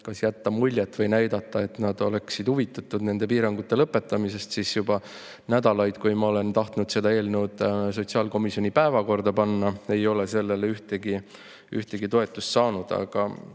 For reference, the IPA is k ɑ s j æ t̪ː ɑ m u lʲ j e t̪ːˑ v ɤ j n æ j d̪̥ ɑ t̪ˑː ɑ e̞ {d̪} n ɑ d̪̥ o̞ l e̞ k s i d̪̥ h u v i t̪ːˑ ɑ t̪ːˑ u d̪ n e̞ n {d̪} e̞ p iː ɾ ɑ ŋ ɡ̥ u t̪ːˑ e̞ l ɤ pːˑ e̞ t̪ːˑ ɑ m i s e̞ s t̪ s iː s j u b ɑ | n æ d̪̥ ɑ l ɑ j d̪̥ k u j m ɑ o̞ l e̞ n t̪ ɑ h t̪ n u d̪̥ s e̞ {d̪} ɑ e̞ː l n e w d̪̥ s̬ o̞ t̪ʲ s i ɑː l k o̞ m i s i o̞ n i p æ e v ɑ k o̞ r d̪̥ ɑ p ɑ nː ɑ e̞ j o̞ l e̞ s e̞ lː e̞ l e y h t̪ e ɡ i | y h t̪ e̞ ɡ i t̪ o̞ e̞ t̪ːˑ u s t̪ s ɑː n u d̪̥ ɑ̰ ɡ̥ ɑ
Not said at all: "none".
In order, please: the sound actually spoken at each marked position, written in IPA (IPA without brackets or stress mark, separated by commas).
t̪, d̪, d̪